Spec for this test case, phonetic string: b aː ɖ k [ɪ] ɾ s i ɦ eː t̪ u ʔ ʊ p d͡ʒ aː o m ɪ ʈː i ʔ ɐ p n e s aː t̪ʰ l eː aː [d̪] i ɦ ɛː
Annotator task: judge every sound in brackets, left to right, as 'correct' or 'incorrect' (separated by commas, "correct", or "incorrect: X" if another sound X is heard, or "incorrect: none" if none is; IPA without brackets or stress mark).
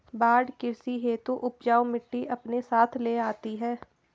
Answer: correct, incorrect: t̪